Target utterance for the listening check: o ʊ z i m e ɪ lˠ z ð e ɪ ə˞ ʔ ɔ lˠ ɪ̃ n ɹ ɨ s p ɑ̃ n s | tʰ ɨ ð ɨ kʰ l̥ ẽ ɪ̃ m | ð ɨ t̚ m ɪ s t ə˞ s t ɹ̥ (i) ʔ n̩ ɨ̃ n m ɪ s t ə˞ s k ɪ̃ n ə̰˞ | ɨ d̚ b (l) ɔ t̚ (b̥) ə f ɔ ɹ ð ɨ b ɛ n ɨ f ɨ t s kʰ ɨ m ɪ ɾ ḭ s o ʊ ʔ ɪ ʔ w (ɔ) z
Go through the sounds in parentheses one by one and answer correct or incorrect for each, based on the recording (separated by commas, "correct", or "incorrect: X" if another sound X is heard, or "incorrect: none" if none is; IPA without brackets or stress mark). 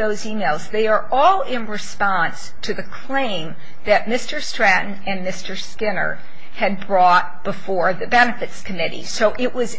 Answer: incorrect: æ, incorrect: ɹ, correct, incorrect: ʌ